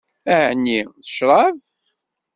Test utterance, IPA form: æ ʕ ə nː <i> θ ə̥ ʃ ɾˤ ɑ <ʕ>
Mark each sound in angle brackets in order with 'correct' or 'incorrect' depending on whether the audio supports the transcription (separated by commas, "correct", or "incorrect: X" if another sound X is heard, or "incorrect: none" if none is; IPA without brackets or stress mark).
correct, incorrect: v